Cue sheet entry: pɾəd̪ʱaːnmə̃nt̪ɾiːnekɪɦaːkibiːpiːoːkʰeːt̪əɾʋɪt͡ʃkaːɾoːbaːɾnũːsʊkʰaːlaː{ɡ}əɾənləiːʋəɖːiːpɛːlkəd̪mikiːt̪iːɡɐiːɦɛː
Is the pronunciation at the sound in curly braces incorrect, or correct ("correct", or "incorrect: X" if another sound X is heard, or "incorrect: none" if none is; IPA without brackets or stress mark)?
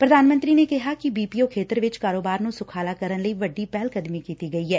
incorrect: k